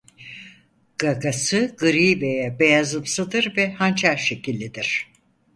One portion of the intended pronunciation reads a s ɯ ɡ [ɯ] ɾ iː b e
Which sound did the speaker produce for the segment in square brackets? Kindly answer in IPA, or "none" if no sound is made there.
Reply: ɯ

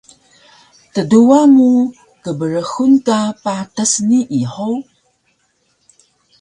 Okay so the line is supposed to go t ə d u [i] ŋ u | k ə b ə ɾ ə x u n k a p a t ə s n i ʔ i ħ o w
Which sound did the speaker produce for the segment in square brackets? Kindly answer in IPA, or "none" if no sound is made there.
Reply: a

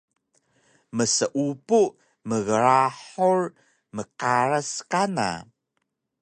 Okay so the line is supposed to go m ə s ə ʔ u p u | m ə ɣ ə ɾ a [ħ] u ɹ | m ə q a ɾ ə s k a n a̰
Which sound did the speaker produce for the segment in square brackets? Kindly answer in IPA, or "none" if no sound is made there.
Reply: ħ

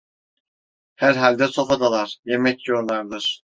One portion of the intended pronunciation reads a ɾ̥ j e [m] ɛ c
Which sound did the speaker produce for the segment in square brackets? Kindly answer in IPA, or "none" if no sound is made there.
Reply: m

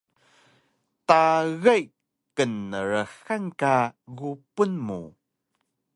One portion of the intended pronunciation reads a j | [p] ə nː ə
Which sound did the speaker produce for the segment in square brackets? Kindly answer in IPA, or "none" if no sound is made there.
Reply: k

